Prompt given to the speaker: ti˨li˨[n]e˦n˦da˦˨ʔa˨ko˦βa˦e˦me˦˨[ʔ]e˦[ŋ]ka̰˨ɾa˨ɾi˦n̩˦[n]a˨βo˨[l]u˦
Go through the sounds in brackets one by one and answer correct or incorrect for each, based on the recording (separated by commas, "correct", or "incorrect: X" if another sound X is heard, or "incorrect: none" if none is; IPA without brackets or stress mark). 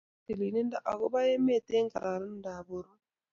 correct, incorrect: t, correct, incorrect: d, incorrect: ɾ